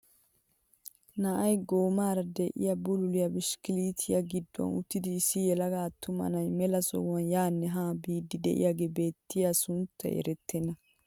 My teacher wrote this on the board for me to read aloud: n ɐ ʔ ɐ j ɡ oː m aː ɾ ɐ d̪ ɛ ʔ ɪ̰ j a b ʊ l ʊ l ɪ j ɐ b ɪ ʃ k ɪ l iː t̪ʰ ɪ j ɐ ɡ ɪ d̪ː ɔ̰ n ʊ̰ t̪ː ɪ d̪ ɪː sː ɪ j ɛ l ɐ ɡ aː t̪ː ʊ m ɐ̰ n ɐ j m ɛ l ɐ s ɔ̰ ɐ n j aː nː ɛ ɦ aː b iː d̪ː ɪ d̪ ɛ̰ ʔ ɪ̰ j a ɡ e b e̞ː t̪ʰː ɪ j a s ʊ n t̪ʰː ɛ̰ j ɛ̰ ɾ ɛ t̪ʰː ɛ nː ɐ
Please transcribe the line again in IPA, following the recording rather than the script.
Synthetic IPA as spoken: n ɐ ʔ ɐ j ɡ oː m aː ɾ ɐ d̪ ɛ ʔ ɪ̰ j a b ʊ l ʊ l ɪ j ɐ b ɪ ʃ k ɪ l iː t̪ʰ ɪ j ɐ ɡ ɪ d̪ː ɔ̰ n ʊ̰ t̪ː ɪ d̪ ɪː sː ɪ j ɛ l ɐ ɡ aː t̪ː ʊ m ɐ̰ n ɐ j m ɛ l ɐ s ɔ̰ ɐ n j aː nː ɛ ɦ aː b iː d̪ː ɪ d̪ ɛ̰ ʔ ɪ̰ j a ɡ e b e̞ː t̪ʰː ɪ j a s ʊ n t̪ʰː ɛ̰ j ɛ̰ ɾ ɛ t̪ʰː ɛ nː ɐ